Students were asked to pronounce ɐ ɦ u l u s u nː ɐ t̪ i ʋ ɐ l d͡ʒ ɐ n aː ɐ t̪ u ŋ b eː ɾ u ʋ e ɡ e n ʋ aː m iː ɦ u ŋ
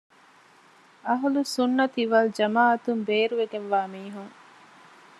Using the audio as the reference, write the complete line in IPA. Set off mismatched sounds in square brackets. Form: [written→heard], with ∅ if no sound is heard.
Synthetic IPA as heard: ɐ ɦ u l u s u nː ɐ t̪ i ʋ ɐ l d͡ʒ ɐ [n→m] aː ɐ t̪ u [ŋ→m] b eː ɾ u ʋ e ɡ e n ʋ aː m iː ɦ u ŋ